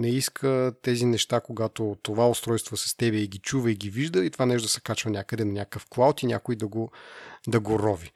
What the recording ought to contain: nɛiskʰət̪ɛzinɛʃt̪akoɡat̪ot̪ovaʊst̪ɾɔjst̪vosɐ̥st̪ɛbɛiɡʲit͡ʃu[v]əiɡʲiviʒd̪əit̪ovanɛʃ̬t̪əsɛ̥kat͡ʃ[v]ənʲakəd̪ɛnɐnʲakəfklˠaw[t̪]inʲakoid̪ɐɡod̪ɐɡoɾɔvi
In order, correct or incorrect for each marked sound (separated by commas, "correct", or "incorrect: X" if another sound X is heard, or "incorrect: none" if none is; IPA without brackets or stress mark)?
correct, correct, correct